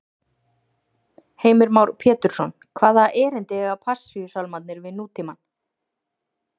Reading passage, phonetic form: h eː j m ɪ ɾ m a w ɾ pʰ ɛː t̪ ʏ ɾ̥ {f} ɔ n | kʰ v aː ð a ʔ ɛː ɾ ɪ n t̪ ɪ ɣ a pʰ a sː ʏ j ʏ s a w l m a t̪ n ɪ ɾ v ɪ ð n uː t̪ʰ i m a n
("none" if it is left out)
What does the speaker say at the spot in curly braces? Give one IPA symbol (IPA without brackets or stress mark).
s